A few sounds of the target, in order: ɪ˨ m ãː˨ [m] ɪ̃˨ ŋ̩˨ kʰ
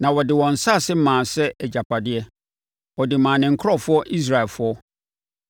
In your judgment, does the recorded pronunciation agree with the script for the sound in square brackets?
no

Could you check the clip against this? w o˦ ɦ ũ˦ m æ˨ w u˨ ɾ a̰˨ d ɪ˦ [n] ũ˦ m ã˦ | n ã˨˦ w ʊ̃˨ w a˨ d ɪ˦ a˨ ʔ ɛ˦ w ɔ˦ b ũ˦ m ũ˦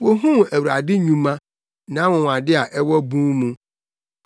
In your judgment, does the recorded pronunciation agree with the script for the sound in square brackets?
no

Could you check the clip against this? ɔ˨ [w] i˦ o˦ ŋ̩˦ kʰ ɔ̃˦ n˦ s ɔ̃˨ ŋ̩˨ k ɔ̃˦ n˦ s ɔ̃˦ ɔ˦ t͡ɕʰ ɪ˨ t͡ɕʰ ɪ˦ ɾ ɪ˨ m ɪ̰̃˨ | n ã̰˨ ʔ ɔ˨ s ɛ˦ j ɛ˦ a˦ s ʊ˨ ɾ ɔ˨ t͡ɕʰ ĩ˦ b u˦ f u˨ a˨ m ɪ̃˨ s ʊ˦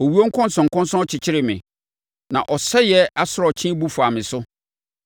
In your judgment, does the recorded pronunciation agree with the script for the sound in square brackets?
yes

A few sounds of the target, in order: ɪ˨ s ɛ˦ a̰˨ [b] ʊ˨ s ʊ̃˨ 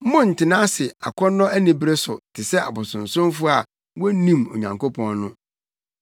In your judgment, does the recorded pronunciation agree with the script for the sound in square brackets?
yes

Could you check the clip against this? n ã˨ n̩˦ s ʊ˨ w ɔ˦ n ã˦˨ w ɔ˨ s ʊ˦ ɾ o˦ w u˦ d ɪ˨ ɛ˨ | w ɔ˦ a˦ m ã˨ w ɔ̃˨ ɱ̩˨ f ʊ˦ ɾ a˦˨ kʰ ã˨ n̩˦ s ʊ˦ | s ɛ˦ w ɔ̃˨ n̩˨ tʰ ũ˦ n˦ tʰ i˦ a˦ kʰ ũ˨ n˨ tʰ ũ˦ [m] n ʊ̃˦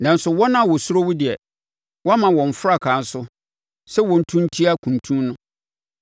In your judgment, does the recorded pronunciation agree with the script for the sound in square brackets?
yes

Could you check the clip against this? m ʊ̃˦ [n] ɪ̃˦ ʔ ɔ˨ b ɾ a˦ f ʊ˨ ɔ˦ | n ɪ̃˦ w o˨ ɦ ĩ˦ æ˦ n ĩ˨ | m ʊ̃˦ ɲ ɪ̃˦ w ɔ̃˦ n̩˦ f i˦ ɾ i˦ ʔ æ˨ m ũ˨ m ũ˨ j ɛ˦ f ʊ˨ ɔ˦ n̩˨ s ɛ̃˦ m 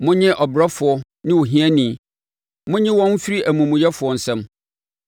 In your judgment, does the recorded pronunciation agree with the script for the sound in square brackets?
no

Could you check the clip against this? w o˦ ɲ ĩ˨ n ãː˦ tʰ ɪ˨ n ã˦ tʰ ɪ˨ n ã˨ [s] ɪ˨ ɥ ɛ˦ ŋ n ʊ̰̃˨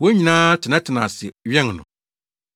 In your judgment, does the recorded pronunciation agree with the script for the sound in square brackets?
yes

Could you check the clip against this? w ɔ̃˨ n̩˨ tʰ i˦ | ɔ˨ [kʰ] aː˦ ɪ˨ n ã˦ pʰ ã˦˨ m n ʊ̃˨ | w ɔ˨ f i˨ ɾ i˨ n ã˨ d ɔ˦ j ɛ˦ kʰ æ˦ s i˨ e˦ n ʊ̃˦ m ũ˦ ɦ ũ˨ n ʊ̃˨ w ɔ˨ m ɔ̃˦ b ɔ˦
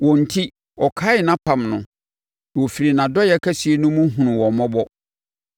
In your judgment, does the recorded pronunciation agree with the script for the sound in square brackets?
yes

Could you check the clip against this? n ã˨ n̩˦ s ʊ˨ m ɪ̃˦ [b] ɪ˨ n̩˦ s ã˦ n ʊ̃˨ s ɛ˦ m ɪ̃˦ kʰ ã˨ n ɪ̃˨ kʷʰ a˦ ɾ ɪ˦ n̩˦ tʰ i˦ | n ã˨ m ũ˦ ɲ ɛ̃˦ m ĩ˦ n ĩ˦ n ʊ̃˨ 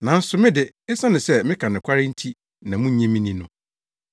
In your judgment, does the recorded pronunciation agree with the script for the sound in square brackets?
no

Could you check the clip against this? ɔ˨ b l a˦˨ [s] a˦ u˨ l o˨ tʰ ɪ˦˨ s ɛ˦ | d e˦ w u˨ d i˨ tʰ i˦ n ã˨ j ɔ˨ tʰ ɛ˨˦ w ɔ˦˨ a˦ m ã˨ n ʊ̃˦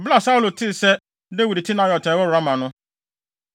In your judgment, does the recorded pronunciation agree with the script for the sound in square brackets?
yes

